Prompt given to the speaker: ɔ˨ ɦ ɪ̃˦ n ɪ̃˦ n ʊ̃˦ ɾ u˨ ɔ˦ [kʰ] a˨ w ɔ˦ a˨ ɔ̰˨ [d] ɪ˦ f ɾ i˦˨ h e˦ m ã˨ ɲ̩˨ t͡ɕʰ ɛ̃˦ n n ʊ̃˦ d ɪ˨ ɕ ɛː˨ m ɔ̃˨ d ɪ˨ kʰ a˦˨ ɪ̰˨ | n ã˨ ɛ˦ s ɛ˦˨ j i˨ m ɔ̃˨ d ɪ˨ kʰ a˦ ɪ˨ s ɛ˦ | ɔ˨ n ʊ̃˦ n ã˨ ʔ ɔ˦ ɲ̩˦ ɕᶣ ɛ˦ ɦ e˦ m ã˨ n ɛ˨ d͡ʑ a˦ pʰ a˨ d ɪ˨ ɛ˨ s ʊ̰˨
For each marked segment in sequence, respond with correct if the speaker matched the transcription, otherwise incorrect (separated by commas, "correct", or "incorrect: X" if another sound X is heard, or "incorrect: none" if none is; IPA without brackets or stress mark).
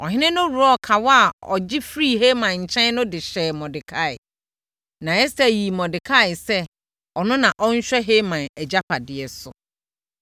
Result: correct, incorrect: d͡ʑ